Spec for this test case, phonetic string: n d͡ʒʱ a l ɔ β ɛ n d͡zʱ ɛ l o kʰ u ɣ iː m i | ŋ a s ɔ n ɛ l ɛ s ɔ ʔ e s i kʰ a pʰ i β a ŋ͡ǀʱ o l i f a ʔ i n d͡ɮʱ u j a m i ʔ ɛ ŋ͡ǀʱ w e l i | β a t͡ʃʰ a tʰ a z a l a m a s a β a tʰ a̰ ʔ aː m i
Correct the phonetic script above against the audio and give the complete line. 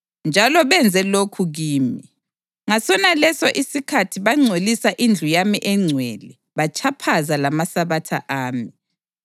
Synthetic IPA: n d͡ʒʱ a l ɔ β ɛ n d͡zʱ ɛ l o kʰ u ɣ iː m i | ŋ a s ɔ n a l ɛ s ɔ ʔ i s i kʰ a tʰ i β a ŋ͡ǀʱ o l i s a ʔ i n d͡ɮʱ u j a m i ʔ ɛ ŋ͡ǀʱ w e l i | β a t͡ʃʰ a pʰ a z a l a m a s a β a tʰ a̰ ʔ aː m i